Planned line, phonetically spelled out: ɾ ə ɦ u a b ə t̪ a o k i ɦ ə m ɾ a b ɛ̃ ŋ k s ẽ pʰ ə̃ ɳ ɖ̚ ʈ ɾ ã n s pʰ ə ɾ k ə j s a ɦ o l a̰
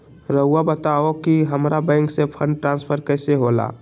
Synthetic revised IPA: ɾ ə ɦ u a b ə t̪ a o k i ɦ ə m ɾ a b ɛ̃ ŋ k s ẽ pʰ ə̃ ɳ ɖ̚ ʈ ɾ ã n s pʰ ə ɾ k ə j s e ɦ o l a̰